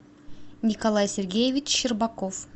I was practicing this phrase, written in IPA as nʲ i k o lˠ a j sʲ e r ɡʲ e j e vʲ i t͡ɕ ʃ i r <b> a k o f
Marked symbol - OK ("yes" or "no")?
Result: yes